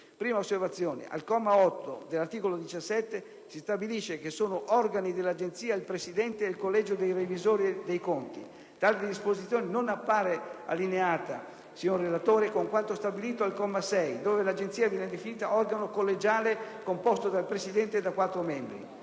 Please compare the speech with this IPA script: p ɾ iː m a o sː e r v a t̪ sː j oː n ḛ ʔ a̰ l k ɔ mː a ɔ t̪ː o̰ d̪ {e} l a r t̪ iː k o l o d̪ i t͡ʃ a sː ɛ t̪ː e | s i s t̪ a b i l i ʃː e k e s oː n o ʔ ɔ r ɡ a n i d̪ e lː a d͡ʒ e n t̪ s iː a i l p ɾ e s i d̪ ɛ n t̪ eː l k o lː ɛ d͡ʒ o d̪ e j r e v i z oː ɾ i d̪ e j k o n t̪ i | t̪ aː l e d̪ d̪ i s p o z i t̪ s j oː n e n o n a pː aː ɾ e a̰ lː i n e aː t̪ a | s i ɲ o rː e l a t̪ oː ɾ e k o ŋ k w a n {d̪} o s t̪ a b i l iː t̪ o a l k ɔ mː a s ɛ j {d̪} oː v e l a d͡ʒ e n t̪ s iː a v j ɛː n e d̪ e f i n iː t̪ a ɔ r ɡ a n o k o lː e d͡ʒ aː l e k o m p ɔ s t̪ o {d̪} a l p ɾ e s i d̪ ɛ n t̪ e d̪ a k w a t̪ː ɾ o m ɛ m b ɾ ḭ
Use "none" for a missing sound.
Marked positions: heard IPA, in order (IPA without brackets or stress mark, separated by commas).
e, t̪, d̪, d̪